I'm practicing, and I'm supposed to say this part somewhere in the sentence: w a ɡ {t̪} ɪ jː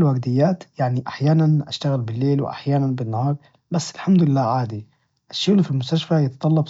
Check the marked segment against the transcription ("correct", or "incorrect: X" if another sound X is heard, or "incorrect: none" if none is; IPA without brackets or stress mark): incorrect: d̪